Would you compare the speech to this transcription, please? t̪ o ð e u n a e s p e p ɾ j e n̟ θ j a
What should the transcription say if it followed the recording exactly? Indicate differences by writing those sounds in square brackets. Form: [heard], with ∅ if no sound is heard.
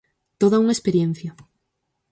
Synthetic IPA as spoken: t̪ o ð [a] u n a e s p e [∅] ɾ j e n̟ θ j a